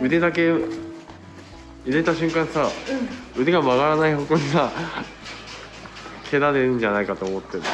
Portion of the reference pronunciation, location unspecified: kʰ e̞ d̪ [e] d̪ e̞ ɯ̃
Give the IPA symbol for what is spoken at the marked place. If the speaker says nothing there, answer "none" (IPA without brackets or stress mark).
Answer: a